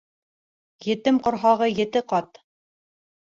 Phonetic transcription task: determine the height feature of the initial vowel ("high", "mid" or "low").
mid